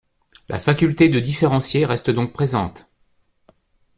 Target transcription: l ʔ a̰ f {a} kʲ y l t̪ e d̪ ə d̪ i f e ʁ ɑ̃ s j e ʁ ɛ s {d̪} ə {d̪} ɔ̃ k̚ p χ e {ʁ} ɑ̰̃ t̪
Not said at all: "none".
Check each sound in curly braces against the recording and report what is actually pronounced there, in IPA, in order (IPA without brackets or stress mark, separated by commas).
a, t̪, d̪, z